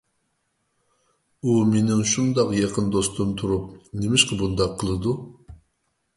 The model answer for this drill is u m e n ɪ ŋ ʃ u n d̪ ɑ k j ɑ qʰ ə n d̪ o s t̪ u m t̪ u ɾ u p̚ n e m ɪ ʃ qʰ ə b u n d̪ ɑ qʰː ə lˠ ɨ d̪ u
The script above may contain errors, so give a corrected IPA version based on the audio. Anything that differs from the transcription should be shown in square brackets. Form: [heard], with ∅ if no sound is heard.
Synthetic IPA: u m e n ɪ ŋ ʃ u n d̪ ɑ [q] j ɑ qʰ ə n d̪ o s t̪ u m [t̪ʰ] u ɾ u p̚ n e m ɪ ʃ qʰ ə b u n d̪ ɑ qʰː ə lˠ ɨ d̪ u